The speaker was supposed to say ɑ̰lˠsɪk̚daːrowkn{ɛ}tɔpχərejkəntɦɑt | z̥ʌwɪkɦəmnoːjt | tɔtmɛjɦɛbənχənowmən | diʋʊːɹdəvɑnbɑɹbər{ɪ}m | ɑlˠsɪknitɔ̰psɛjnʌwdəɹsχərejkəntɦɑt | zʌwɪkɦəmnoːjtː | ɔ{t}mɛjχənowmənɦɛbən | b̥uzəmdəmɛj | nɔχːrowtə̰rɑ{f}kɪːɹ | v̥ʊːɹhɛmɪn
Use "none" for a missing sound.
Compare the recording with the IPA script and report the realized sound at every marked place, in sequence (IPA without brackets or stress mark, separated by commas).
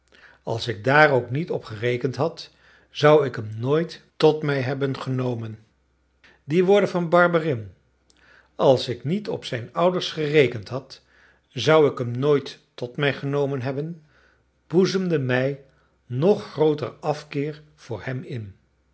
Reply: i, ɪ, t, f